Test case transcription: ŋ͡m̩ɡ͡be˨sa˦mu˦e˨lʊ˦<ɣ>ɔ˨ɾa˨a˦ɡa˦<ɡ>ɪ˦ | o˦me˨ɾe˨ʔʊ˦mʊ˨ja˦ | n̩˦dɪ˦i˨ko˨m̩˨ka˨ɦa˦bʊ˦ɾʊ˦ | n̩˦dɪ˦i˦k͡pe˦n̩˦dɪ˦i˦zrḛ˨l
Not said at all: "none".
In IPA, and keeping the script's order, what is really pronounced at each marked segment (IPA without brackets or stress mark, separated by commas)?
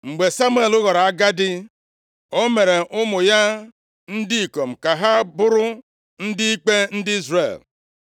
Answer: ɣ, d